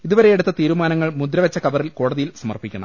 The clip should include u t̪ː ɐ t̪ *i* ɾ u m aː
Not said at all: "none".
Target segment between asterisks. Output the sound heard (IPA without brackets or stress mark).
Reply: iː